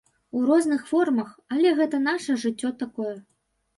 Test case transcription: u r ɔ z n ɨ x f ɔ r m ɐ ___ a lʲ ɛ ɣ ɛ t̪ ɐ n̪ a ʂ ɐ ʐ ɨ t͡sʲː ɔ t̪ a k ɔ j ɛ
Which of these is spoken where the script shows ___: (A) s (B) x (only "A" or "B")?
B